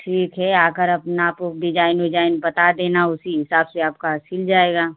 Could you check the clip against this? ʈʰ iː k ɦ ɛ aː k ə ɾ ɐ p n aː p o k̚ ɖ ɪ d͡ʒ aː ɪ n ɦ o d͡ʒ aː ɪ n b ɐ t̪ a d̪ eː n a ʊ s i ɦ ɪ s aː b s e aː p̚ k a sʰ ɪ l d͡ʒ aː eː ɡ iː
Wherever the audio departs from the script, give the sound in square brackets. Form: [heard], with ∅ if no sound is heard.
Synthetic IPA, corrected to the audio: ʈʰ iː k ɦ ɛ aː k ə ɾ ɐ p n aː p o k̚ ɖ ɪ d͡ʒ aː ɪ n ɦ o d͡ʒ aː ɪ n b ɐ t̪ a d̪ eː n a ʊ s i ɦ ɪ s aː b s e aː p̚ k a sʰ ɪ l d͡ʒ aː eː ɡ [aː]